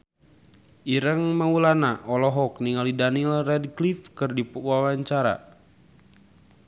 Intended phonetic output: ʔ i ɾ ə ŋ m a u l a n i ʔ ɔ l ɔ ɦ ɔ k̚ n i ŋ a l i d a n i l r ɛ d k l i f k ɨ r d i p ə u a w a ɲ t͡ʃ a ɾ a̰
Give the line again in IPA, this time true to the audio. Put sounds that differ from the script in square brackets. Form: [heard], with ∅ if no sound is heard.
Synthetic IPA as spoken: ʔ i ɾ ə ŋ m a u l a n [a] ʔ ɔ l ɔ ɦ ɔ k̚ n i ŋ a l i d a n i l r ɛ d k l i f k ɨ r d i p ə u a w a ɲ t͡ʃ a ɾ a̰